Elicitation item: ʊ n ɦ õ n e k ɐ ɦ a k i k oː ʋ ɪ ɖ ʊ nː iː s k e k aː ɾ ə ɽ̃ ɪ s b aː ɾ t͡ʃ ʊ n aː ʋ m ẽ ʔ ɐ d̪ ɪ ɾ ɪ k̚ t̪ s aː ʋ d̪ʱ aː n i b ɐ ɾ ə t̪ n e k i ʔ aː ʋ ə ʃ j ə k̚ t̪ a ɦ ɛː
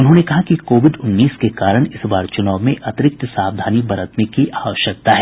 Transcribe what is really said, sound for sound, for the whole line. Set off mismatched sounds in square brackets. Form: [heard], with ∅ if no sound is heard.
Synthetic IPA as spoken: ʊ n ɦ õ n e k ɐ ɦ a k i k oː ʋ ɪ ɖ ʊ nː iː s k e k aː ɾ ə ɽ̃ ɪ s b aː ɾ t͡ʃ ʊ n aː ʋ m ẽ ʔ ɐ [t̪] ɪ ɾ ɪ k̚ t̪ s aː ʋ d̪ʱ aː n i b ɐ ɾ ə t̪ n e k i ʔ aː ʋ ə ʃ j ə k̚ t̪ a ɦ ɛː